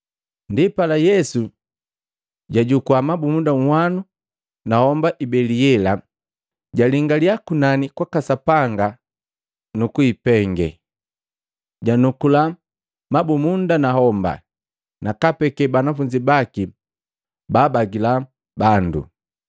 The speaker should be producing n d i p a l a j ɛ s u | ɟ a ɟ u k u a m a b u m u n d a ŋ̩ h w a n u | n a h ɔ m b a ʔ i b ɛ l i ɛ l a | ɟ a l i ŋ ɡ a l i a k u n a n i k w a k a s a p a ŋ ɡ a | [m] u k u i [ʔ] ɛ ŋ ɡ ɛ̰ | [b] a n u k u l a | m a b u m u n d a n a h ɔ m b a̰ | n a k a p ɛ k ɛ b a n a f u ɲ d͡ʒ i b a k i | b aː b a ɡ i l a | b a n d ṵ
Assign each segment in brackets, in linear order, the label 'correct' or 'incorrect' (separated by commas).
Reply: incorrect, incorrect, incorrect